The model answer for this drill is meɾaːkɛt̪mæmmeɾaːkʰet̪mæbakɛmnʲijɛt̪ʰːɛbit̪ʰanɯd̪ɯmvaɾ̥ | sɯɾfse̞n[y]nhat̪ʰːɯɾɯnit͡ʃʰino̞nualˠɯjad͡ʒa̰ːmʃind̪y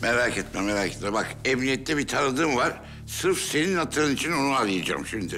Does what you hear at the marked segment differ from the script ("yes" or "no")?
yes